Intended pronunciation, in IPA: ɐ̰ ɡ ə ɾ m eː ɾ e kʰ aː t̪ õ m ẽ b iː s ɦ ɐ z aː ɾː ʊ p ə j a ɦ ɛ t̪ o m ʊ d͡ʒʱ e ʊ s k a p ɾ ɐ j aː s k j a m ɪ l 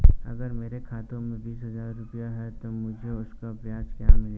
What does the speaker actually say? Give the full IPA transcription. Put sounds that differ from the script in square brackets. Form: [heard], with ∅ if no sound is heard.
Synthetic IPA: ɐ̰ ɡ ə ɾ m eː ɾ e kʰ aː t̪ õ m ẽ b iː s ɦ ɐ z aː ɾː ʊ p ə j a ɦ ɛ t̪ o m ʊ d͡ʒʱ e ʊ s k a p ɾ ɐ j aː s k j a m ɪ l